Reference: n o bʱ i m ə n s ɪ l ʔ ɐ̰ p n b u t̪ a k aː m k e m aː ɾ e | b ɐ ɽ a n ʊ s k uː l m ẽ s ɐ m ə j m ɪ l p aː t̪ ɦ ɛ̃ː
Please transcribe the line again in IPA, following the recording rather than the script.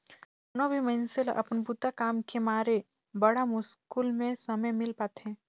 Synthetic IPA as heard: n o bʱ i m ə n s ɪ l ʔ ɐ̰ p n b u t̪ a k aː m k e m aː ɾ e | b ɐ ɽ a m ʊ s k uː l m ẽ s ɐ m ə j m ɪ l p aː t̪ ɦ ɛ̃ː